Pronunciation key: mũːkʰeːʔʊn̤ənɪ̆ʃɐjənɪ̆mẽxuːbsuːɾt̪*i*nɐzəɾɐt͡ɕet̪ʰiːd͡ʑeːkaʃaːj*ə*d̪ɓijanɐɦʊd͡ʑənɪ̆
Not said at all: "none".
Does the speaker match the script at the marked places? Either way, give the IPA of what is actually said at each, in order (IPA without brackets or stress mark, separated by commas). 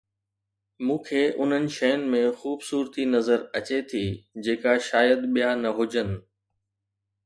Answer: i, ə